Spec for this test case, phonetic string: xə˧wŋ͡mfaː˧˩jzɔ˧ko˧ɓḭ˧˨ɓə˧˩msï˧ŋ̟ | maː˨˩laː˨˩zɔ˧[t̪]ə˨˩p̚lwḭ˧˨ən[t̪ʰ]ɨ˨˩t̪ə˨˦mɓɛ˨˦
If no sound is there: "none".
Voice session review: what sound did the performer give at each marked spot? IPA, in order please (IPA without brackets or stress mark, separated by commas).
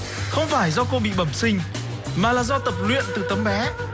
t̪, t̪